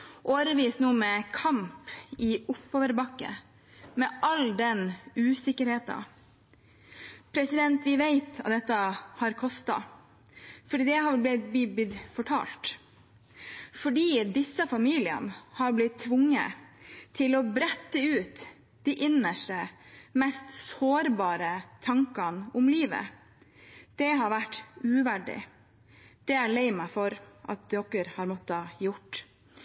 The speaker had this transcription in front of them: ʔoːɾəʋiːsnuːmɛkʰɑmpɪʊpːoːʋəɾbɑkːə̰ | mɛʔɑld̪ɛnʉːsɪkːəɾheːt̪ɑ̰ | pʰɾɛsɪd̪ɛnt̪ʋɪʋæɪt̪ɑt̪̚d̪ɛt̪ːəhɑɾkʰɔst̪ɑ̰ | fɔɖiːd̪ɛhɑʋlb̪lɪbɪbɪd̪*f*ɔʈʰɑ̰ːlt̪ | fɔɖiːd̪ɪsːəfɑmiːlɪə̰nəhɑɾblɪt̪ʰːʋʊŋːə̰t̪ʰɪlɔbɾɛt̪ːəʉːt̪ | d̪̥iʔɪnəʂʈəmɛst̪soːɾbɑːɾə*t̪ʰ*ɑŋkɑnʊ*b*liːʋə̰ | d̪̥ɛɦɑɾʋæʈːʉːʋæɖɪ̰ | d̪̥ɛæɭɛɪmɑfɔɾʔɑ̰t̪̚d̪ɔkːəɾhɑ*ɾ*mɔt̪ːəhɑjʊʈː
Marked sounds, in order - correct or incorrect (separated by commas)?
correct, correct, incorrect, correct